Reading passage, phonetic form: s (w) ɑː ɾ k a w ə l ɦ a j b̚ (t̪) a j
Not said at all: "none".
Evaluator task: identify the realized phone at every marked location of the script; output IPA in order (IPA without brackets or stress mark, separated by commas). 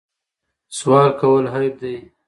w, d̪